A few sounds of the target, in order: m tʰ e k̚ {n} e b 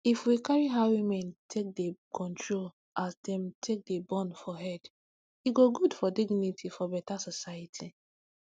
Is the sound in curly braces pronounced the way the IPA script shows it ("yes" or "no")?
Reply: no